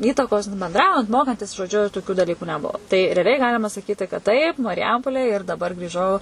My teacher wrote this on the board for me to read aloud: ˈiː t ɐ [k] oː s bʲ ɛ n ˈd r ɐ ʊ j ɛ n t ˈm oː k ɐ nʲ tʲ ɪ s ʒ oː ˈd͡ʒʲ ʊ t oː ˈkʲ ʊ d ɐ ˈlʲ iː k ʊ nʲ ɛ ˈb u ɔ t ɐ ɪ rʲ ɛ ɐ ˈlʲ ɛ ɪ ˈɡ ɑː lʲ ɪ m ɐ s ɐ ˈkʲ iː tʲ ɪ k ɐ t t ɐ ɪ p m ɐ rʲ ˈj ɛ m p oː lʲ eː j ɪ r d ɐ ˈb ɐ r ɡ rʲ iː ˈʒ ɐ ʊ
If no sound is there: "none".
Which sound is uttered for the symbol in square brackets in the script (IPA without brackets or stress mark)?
k